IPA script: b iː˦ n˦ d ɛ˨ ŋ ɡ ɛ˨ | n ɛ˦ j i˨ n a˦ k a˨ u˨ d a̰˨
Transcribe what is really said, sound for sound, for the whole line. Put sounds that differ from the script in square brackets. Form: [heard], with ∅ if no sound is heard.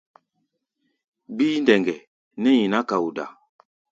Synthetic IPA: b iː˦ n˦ d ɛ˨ ŋ ɡ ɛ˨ | n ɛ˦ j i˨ n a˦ k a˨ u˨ d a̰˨